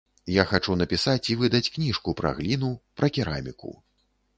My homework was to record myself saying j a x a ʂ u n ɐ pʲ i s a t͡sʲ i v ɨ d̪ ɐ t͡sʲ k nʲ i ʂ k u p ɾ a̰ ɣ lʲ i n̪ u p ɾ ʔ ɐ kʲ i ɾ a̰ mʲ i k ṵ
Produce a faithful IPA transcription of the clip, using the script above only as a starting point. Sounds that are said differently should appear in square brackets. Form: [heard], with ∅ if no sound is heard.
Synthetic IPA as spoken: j a x a [t͡ʂ] u n ɐ pʲ i s a t͡sʲ i v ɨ d̪ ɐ t͡sʲ k nʲ i ʂ k u p ɾ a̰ ɣ lʲ i n̪ u p ɾ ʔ ɐ kʲ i ɾ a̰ mʲ i k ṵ